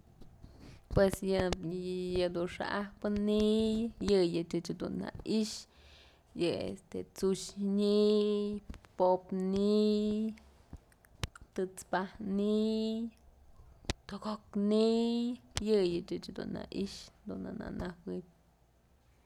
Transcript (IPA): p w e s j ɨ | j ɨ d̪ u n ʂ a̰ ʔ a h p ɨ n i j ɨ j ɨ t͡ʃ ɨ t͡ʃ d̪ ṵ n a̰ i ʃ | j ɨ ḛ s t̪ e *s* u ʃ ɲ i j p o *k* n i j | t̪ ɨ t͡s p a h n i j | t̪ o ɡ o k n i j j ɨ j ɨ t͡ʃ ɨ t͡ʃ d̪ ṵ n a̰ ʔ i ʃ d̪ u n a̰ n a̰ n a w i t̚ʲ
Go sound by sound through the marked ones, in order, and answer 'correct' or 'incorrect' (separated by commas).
incorrect, incorrect